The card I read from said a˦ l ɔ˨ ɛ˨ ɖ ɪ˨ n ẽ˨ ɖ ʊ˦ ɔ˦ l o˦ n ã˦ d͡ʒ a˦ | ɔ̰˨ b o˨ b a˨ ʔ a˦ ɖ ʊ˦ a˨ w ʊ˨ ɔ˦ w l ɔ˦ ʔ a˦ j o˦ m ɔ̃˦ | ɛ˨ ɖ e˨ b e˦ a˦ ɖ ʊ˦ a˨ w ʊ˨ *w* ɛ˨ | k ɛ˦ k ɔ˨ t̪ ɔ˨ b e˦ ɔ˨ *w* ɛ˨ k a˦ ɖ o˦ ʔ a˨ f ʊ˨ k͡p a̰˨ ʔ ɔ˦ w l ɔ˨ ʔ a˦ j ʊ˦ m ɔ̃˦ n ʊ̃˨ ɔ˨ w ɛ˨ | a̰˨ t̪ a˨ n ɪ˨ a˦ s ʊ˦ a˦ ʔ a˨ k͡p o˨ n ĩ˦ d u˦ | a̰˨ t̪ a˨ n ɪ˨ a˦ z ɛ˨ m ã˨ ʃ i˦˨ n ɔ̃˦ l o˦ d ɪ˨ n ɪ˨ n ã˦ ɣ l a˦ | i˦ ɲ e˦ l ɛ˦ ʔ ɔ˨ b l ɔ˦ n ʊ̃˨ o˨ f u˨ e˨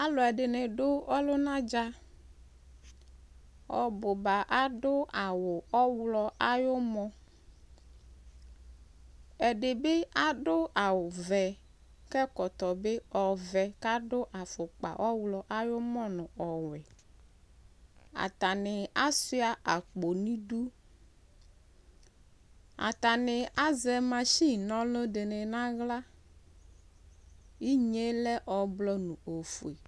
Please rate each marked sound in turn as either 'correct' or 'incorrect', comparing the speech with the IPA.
incorrect: v, incorrect: v

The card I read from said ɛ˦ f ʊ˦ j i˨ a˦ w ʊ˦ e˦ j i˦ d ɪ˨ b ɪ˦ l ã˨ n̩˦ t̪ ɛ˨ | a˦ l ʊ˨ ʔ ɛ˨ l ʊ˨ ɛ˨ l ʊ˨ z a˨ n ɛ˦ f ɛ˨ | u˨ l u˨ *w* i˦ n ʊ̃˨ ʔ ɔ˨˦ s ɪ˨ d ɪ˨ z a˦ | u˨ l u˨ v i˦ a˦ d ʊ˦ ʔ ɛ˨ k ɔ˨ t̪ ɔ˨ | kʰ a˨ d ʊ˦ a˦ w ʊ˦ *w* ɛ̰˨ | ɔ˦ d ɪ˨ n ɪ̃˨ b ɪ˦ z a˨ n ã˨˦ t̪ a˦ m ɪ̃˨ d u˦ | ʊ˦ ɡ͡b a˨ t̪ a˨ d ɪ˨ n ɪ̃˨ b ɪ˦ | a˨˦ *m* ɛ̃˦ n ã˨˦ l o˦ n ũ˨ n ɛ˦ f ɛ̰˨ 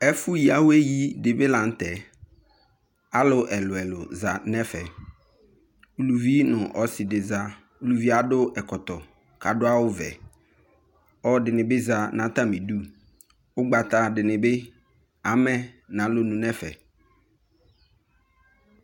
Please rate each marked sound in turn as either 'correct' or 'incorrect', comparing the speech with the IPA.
incorrect: v, incorrect: v, correct

